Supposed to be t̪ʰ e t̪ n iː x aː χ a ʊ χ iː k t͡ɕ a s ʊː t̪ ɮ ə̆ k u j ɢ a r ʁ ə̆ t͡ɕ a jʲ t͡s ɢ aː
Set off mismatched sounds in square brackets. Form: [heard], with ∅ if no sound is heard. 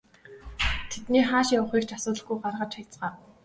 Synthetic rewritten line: t̪ʰ e t̪ n iː [χ] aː [ʃ] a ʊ χ iː k t͡ɕ a s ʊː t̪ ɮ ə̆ [ɡ] u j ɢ a r ʁ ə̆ t͡ɕ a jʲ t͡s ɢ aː